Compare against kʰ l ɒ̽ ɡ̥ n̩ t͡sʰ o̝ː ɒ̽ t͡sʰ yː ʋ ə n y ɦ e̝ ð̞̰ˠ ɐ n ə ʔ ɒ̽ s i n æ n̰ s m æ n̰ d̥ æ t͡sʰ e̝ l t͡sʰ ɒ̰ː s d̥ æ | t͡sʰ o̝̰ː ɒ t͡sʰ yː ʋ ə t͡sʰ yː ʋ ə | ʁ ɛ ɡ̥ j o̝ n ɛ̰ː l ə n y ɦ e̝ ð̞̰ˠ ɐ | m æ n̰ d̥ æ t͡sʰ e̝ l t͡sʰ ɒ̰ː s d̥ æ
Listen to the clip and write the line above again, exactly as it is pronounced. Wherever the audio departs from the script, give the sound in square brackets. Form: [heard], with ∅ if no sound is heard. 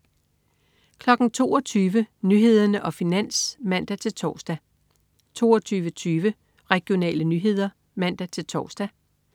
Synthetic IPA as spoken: kʰ l ɒ̽ ɡ̥ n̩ t͡sʰ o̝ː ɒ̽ t͡sʰ yː ʋ ə n y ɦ e̝ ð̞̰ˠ ɐ n ə ʔ ɒ̽ [f] i n æ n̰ s m æ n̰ d̥ æ t͡sʰ e̝ l t͡sʰ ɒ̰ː s d̥ æ | t͡sʰ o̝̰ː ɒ t͡sʰ yː ʋ ə t͡sʰ yː ʋ ə | ʁ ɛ ɡ̥ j o̝ n ɛ̰ː l ə n y ɦ e̝ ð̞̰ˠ ɐ | m æ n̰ d̥ æ t͡sʰ e̝ l t͡sʰ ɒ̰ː s d̥ æ